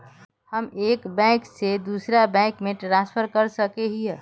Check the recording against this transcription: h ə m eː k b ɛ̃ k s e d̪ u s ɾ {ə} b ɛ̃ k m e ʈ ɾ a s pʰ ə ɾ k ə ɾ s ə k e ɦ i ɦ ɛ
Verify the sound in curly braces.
incorrect: a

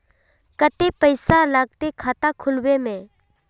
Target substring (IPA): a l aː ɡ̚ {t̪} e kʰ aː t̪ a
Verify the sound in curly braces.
correct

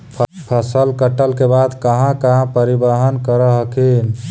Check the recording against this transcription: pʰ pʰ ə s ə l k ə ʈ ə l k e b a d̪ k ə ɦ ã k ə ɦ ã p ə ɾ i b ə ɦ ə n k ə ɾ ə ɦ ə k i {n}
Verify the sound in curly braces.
correct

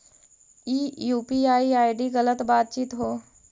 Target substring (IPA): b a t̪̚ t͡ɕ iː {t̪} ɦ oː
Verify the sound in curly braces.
correct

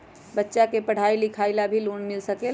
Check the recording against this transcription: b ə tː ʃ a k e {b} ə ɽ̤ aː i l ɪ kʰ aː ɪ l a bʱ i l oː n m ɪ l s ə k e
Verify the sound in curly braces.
incorrect: p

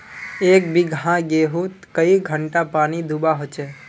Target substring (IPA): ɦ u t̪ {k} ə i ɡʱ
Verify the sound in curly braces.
correct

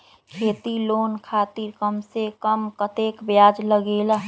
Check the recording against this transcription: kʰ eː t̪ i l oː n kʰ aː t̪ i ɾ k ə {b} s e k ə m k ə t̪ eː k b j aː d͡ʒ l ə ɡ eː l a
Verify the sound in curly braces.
incorrect: m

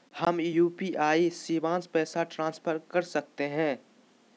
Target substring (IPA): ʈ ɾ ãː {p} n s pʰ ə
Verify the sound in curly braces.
incorrect: none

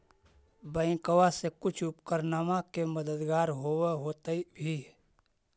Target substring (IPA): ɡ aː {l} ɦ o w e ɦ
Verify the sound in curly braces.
incorrect: ɾ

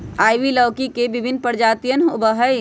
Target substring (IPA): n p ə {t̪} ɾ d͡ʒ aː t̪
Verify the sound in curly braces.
incorrect: none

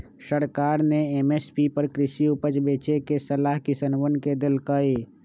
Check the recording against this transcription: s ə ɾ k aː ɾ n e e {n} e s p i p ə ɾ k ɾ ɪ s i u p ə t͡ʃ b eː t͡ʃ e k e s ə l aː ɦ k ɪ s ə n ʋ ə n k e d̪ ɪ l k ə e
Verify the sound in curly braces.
incorrect: m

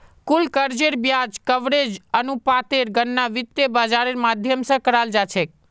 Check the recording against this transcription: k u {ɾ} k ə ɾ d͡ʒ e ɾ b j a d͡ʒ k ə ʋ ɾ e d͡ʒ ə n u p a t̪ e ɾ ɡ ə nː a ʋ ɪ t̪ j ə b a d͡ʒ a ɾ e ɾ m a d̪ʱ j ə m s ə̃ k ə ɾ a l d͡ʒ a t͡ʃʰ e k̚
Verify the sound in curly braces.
incorrect: l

